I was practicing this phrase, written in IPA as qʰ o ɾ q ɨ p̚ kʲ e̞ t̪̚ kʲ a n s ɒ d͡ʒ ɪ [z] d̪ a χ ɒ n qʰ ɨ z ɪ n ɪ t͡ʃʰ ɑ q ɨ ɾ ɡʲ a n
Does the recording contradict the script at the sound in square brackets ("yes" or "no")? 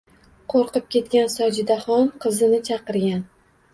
yes